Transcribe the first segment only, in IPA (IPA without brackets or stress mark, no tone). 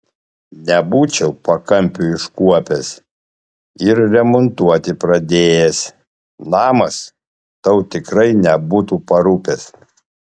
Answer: nʲ